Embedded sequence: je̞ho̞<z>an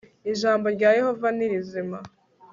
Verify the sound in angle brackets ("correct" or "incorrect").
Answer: incorrect